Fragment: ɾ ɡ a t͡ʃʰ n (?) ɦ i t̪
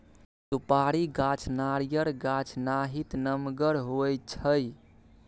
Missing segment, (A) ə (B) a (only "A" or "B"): B